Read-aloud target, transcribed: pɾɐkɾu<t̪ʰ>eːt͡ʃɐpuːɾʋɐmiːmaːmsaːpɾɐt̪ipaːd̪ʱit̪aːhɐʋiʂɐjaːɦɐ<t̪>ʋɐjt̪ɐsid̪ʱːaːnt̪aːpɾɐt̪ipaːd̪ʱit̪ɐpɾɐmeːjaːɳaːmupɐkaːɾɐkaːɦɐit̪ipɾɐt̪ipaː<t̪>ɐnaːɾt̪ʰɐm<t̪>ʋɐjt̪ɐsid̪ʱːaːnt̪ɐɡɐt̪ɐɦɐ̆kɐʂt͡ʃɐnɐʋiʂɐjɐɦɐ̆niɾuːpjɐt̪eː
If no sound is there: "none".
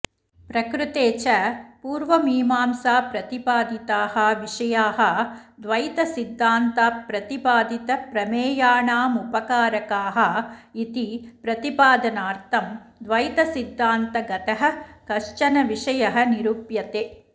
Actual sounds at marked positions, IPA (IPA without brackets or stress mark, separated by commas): t̪, d̪, d̪, d̪